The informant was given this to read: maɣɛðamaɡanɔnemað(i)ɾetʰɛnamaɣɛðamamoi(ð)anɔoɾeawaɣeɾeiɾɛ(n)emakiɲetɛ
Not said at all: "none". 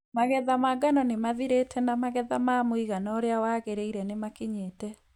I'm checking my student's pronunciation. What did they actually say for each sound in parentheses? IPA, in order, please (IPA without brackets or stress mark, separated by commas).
i, ɣ, n